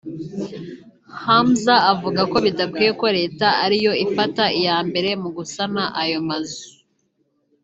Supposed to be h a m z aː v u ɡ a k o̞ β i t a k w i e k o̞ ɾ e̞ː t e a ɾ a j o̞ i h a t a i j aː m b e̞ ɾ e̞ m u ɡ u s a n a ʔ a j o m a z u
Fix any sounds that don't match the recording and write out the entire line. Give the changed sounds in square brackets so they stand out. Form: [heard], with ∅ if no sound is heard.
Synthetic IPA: h a m z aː v u ɡ a k o̞ β i [d] a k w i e k o̞ ɾ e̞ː t [a] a ɾ [i] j o̞ i [f] a t a i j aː m b e̞ ɾ e̞ m u ɡ u s a n a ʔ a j o m a z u